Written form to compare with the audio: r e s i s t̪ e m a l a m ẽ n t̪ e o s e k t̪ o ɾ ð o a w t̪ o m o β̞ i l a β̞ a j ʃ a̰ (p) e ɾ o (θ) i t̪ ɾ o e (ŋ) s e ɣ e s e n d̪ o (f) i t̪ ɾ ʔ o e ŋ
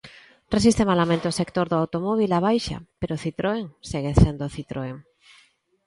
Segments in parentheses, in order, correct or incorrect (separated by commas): correct, correct, correct, incorrect